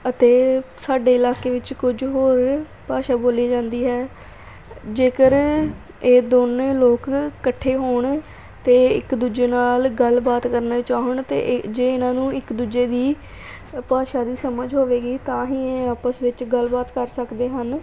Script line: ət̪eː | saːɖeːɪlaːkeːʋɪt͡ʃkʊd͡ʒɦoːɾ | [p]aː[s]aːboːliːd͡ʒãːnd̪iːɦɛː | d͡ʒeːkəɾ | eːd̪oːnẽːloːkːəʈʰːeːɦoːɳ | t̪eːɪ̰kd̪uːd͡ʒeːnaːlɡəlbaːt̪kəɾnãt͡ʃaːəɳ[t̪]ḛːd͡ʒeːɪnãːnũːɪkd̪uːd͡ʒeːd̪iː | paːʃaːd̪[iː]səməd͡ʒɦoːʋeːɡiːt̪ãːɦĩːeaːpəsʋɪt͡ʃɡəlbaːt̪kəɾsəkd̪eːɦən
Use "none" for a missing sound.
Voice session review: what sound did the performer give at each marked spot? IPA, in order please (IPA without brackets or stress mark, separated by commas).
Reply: p, ʃ, t̪, iː